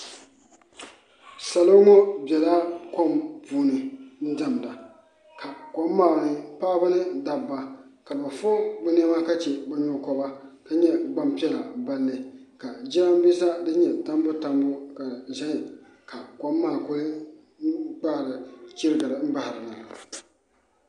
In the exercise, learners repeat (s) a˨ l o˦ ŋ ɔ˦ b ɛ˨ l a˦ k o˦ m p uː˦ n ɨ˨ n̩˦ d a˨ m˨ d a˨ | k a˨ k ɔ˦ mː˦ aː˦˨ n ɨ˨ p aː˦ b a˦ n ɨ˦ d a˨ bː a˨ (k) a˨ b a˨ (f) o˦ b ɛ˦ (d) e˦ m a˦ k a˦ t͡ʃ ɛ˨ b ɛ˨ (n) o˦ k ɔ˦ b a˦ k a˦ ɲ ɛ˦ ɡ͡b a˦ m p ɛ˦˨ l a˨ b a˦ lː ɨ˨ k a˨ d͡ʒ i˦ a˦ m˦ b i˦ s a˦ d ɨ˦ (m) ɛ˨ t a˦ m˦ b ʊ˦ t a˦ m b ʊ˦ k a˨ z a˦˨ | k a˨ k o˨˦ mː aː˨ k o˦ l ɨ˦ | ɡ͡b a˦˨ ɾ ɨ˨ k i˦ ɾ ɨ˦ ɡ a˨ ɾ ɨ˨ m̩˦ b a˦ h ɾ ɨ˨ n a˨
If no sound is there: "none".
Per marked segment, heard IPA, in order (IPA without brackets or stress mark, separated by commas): s, k, f, n, ɲ, ɲ